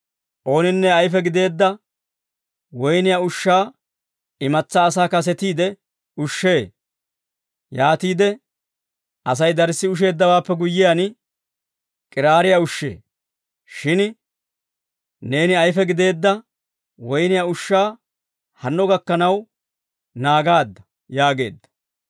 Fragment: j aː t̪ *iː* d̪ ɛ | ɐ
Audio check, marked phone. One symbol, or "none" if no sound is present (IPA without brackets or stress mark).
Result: iː